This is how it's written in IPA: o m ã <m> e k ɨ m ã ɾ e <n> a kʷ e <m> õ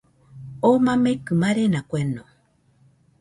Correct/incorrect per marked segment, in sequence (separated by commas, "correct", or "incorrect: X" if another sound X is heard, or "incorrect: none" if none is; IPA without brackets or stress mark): correct, correct, incorrect: n